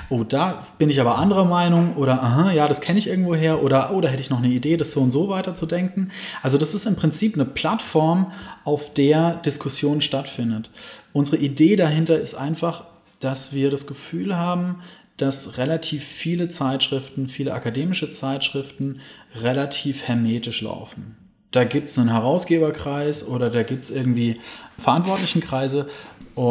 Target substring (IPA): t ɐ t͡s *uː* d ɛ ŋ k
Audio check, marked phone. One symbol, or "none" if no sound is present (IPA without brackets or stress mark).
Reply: u